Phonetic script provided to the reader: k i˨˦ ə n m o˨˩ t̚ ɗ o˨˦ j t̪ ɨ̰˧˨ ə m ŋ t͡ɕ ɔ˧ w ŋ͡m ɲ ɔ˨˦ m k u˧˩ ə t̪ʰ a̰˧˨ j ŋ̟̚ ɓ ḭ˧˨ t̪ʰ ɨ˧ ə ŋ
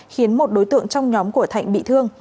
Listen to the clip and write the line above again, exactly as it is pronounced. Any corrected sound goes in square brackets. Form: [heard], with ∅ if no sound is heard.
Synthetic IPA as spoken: [x] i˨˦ ə n m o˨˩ t̚ ɗ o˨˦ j t̪ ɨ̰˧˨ ə [∅] ŋ t͡ɕ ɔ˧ w ŋ͡m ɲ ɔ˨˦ m k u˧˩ ə t̪ʰ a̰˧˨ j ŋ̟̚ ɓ ḭ˧˨ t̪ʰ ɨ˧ ə ŋ